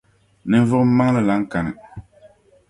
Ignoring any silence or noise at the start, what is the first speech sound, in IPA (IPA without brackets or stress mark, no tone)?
n